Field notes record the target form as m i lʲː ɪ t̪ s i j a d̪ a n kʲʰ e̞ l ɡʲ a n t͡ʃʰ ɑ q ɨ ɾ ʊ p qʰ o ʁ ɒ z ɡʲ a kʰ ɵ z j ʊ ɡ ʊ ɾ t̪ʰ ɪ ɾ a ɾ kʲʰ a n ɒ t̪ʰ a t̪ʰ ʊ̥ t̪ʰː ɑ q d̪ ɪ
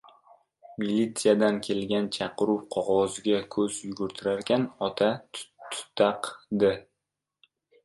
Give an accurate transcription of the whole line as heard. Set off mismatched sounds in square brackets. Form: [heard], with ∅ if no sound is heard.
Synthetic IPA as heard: m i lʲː [i] t̪ s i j a d̪ a n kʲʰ e̞ l ɡʲ a n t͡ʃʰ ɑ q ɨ ɾ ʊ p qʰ [ɒ] ʁ ɒ z ɡʲ a kʰ ɵ z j ʊ ɡ ʊ ɾ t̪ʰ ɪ ɾ a ɾ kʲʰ a n ɒ t̪ʰ a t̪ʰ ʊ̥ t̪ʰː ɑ q d̪ ɪ